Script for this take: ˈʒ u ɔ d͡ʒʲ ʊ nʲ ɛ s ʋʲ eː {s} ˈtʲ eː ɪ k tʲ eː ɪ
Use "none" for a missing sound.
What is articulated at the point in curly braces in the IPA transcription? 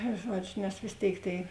s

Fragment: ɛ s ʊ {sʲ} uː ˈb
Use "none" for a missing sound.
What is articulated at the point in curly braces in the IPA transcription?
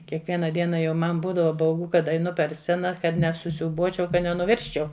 sʲ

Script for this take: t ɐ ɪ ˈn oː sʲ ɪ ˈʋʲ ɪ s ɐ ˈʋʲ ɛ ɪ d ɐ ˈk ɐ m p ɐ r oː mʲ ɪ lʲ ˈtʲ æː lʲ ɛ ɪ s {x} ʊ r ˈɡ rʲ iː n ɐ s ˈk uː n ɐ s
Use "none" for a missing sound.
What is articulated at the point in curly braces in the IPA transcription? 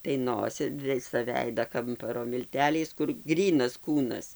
k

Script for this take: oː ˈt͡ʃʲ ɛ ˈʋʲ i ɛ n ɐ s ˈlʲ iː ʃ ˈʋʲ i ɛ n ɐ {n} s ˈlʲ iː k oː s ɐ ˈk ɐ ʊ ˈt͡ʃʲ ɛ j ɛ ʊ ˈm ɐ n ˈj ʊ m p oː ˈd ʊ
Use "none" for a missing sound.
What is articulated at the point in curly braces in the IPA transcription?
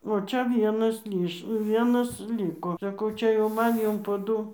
none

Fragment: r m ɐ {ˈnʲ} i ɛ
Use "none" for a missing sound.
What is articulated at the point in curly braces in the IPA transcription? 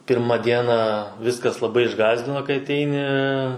dʲ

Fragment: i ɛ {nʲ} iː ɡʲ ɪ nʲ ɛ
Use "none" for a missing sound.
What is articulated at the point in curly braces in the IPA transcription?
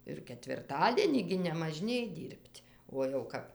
nʲ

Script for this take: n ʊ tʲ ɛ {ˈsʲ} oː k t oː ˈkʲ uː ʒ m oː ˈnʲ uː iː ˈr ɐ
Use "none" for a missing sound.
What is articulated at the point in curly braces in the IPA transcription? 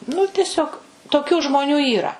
sʲ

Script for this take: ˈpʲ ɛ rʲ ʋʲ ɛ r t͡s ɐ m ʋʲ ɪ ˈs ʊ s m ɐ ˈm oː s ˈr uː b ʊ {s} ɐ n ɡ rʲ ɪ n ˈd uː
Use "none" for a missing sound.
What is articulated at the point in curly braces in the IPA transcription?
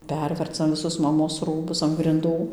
s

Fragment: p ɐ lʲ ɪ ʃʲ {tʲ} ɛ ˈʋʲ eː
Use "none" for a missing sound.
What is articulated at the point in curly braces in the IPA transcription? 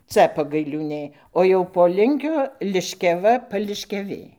kʲ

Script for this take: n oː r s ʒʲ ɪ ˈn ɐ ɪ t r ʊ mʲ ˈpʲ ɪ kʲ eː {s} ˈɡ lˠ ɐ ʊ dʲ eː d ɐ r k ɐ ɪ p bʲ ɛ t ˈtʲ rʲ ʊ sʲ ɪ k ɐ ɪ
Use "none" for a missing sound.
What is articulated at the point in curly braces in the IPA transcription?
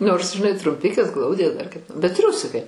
s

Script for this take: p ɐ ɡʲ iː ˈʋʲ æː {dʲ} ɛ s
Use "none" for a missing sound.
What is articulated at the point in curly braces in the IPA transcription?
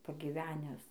nʲ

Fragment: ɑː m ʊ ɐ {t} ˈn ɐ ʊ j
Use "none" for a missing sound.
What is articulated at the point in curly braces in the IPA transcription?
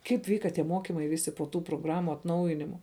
t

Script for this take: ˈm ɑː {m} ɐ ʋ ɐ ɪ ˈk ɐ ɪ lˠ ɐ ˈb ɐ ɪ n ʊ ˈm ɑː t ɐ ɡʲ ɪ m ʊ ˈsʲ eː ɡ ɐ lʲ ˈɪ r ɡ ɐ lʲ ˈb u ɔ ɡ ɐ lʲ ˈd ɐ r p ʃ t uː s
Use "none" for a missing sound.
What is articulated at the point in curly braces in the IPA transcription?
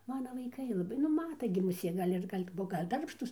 n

